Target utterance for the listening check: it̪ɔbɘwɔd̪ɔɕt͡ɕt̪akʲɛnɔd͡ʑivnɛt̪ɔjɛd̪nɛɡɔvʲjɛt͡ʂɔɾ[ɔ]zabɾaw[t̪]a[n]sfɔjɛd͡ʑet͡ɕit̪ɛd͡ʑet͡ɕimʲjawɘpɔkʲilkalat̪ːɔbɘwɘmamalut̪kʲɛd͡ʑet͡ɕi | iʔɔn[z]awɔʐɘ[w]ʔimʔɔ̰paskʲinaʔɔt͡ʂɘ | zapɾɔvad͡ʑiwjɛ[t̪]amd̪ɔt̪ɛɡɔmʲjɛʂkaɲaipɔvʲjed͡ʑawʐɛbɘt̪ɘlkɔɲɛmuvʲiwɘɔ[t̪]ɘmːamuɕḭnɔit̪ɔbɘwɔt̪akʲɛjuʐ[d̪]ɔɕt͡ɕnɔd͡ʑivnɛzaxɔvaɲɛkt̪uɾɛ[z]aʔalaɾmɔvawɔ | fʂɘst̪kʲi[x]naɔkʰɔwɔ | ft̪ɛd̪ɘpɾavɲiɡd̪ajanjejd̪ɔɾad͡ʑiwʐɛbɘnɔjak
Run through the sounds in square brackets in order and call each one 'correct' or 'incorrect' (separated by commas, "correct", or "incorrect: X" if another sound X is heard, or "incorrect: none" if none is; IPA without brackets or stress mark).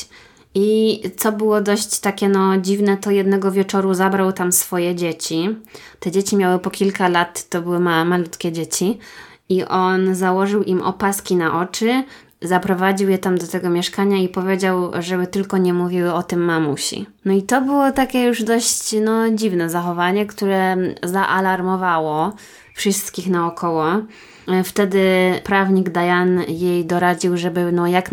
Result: incorrect: u, correct, incorrect: m, correct, correct, correct, correct, correct, correct, correct